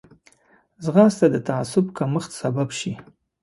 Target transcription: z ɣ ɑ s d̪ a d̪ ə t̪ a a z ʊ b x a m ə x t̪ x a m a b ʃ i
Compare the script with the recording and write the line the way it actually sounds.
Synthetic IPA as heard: z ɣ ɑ s t̪ a d̪ ə t̪ a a s ʊ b k a m ə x t̪ s a b a b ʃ i